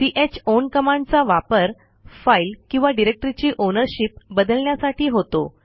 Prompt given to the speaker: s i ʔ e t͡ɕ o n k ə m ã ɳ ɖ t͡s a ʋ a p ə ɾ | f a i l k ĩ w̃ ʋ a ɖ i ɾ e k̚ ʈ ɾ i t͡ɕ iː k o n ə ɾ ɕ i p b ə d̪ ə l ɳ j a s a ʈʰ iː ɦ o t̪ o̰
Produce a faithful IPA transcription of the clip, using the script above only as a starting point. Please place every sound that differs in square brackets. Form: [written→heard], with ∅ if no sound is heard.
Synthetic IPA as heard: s i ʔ e t͡ɕ o n k ə m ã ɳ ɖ t͡s a ʋ a p ə ɾ | f a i l k ĩ w̃ ʋ a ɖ i ɾ e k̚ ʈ ɾ i t͡ɕ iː [k→ʔ] o n ə ɾ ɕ i p b ə d̪ ə l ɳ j a s a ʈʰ iː ɦ o t̪ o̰